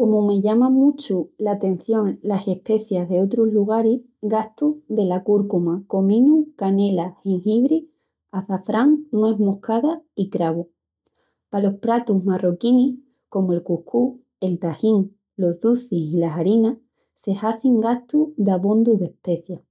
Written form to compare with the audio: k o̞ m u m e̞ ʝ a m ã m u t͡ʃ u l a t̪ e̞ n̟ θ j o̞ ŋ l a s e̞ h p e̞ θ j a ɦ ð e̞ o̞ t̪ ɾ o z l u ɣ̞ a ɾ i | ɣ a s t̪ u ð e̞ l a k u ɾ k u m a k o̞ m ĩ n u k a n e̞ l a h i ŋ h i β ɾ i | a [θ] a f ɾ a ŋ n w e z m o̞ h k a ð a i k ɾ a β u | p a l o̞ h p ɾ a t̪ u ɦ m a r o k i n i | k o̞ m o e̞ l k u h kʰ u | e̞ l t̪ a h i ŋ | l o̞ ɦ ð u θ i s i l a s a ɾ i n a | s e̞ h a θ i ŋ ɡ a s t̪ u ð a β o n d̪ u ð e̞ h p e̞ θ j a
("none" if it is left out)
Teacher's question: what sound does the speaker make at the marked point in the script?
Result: θ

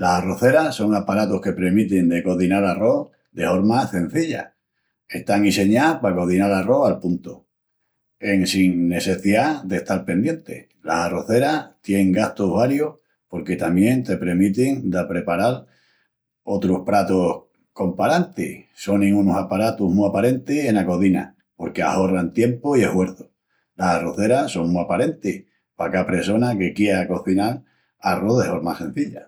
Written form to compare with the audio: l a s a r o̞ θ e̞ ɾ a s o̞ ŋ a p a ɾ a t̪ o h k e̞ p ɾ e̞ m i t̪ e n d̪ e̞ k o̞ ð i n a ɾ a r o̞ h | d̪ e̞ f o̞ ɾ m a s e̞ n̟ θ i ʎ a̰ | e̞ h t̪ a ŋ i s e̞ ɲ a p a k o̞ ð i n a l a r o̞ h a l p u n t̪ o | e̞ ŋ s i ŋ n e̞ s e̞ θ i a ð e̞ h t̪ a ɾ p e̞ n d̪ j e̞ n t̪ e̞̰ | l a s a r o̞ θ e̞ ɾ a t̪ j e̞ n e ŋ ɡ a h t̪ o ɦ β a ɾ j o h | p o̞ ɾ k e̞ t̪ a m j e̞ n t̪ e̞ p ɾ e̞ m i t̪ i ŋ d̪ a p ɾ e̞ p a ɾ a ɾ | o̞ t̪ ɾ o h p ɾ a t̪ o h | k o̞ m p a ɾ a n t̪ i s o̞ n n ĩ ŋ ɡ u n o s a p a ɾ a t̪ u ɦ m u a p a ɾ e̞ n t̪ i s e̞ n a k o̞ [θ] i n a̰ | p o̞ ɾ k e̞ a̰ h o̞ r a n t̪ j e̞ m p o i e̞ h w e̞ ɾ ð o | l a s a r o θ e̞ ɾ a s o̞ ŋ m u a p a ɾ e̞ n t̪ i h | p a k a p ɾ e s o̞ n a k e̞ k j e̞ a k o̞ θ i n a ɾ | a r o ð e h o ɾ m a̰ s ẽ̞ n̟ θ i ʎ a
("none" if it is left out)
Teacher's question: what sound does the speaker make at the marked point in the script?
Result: ð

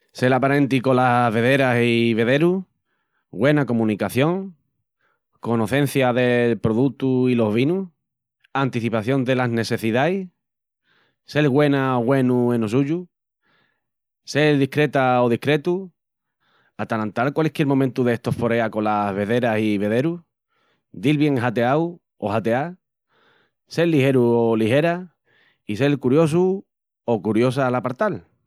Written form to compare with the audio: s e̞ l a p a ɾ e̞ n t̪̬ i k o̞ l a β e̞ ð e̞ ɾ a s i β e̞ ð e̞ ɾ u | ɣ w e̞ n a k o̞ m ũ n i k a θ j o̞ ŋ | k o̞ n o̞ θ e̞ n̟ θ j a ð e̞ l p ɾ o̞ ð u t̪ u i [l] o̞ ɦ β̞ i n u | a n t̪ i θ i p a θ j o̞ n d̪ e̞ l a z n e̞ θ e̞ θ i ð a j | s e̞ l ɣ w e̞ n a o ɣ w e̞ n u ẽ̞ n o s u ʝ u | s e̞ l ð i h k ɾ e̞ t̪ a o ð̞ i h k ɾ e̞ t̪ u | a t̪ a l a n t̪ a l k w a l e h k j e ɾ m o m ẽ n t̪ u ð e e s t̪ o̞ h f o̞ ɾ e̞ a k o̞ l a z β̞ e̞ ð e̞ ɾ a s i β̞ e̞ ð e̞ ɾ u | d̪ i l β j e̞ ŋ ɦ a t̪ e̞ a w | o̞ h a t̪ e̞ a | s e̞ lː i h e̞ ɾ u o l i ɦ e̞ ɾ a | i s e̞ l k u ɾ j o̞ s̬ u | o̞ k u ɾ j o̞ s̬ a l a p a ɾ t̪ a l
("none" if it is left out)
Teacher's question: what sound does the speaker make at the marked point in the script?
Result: l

